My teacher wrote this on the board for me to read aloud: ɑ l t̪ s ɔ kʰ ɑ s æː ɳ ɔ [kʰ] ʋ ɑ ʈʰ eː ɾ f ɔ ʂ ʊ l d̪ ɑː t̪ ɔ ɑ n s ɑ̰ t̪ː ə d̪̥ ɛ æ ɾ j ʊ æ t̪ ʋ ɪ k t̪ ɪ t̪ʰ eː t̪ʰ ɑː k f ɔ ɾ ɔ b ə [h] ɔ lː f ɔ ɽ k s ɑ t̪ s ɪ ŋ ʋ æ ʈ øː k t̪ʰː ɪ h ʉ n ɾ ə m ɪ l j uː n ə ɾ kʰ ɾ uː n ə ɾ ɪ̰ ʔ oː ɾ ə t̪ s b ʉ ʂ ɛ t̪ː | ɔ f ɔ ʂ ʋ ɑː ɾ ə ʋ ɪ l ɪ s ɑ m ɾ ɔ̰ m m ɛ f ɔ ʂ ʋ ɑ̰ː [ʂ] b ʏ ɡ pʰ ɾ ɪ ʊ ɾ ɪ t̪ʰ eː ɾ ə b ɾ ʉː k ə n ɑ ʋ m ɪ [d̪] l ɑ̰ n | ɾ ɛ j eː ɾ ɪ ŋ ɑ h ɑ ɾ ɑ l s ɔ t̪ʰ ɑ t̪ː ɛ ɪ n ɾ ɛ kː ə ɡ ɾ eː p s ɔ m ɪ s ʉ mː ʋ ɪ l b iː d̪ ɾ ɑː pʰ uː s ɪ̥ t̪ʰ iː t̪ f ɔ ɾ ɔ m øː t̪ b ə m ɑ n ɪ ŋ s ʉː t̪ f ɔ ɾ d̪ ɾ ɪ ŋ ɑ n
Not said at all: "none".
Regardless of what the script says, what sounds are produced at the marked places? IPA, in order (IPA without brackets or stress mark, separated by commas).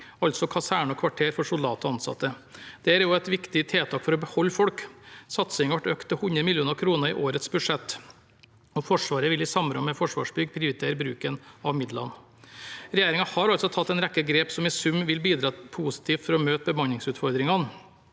kʰ, h, ʂ, d̪